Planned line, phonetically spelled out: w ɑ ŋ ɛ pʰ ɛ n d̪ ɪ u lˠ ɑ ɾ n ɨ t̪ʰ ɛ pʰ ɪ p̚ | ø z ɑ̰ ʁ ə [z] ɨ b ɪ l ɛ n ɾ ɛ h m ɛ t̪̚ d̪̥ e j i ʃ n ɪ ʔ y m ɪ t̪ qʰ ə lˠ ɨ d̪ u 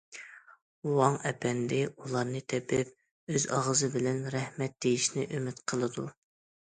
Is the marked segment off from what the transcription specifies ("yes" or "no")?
no